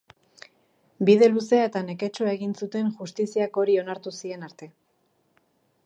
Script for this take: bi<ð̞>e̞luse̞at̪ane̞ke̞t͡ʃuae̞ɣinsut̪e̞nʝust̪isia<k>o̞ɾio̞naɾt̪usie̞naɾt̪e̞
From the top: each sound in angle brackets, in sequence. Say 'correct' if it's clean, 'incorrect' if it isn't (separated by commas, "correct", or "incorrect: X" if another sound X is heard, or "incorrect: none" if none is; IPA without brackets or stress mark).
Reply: correct, correct